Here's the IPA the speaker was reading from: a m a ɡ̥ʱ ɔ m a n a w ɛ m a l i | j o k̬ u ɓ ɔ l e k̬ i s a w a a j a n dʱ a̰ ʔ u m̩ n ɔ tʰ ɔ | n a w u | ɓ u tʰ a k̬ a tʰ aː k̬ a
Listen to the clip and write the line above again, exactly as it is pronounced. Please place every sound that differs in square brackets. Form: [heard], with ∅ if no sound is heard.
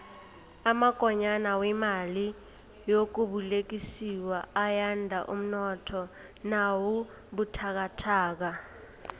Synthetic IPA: a m a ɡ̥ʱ ɔ [ɲ] a n a w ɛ m a l i | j o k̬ u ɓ [u] l e k̬ i s [i] w a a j a n dʱ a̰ ʔ u m̩ n ɔ tʰ ɔ | n a w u | ɓ u tʰ a k̬ a tʰ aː k̬ a

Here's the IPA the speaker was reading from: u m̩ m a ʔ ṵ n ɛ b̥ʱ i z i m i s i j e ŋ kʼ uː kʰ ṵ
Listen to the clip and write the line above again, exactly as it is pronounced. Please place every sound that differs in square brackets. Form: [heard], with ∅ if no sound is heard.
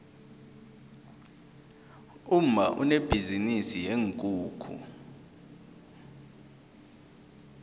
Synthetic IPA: u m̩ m a ʔ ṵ n [e] b̥ʱ i z i [n] i s i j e ŋ kʼ uː kʰ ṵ

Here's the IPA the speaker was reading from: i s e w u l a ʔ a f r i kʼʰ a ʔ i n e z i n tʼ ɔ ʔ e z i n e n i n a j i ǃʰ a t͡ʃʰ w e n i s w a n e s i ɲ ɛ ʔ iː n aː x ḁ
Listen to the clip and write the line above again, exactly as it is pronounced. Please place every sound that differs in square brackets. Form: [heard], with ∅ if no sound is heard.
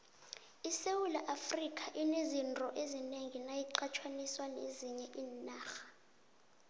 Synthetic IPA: i s e w u l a ʔ a f r i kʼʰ a ʔ i n e z i n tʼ ɔ ʔ e z i n e [ŋ] i n a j i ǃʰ a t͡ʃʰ w [a] n i s w a n e [z] i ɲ ɛ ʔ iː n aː x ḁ

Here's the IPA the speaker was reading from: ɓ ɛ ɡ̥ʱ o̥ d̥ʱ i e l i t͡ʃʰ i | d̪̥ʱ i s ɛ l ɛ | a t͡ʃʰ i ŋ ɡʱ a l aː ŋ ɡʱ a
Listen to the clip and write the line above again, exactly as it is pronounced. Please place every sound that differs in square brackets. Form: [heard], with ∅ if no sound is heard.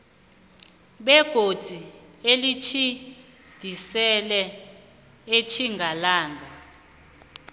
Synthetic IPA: ɓ ɛ ɡ̥ʱ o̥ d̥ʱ i e l i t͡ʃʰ i | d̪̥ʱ i s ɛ l ɛ | [e] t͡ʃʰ i ŋ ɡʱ a l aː ŋ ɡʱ a

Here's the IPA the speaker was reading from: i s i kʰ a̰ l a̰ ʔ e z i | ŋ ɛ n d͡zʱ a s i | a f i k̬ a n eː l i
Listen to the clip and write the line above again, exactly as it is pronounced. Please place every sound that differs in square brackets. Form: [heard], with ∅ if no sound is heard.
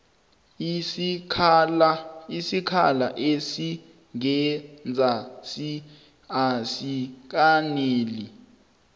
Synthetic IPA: i s i kʰ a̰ l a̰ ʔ e [s] i | ŋ ɛ n d͡zʱ a s i | a [s] i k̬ a n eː l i

